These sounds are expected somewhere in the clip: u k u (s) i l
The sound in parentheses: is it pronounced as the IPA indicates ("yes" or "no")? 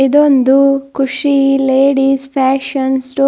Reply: no